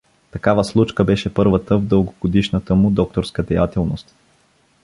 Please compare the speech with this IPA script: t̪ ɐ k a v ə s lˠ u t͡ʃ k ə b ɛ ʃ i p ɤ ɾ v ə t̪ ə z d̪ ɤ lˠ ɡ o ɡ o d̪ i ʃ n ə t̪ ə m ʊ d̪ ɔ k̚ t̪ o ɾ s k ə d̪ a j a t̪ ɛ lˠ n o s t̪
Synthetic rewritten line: t̪ ɐ k a v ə s lˠ u t͡ʃ k ə b ɛ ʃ ɛ p ɤ ɾ v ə t̪ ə v d̪ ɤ lˠ ɡ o ɡ o d̪ i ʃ n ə t̪ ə m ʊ d̪ ɔ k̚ t̪ o ɾ s k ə d̪ ɛ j a t̪ ɛ lˠ n o s t̪